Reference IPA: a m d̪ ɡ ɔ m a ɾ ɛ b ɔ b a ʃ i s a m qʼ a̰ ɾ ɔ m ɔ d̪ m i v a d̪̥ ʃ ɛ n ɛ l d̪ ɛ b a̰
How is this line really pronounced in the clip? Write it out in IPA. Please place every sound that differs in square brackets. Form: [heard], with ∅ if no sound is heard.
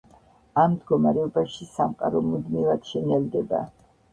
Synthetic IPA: a m d̪ ɡ ɔ m a ɾ ɛ [∅] ɔ b a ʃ i s a m qʼ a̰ ɾ ɔ m [u] d̪ m i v a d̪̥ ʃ ɛ n ɛ l d̪ ɛ b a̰